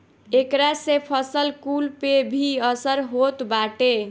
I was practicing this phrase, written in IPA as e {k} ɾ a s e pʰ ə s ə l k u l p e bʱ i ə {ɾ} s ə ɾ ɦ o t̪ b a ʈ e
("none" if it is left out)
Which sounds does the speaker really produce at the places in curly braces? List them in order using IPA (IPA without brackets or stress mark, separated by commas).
k, none